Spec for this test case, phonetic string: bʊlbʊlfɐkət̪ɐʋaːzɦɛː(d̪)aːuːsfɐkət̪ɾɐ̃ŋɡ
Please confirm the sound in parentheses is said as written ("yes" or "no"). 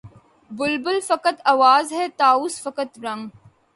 no